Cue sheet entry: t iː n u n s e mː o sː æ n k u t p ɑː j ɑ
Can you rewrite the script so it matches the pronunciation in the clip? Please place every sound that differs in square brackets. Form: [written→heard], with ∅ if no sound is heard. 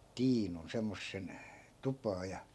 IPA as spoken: t iː n u n s e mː o sː [æ→e] n [k→t] u [t→∅] p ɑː j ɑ